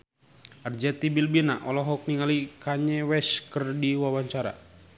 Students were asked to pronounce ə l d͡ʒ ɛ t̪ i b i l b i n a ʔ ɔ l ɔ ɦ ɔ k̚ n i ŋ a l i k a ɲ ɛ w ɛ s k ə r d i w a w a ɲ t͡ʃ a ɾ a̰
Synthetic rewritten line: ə r d͡ʒ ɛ t̪ i b i l b i n a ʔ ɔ l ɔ ɦ ɔ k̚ n i ŋ a l i k a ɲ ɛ w ɛ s k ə r d i w a w a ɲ t͡ʃ a ɾ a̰